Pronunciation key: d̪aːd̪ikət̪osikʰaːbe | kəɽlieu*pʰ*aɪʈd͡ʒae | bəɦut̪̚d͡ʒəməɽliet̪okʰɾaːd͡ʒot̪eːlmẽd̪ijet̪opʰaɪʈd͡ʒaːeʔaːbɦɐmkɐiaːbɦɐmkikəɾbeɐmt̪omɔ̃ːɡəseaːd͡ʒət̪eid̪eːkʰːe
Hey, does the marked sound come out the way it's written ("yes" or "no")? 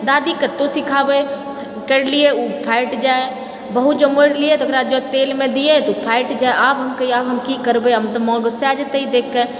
yes